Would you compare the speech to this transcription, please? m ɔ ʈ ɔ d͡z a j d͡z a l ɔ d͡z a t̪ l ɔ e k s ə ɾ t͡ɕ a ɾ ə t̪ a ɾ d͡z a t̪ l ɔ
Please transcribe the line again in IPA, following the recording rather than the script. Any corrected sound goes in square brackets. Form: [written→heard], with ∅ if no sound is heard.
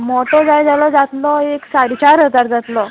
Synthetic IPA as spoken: m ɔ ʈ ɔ d͡z a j d͡z a l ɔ d͡z a t̪ l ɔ e k s [ə→a] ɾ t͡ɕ a ɾ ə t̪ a ɾ d͡z a t̪ l ɔ